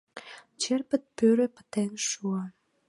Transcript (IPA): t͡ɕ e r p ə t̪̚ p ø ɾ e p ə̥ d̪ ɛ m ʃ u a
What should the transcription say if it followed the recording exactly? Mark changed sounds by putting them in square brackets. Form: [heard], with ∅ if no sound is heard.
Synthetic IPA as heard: t͡ɕ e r p ə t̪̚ p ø ɾ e p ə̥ [t̪] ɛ [n] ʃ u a